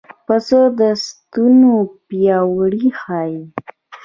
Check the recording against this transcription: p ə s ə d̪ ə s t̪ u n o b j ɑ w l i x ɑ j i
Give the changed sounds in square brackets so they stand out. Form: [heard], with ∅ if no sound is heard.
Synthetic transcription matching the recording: p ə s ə d̪ ə s t̪ u n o [p] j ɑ w [ɽ] i x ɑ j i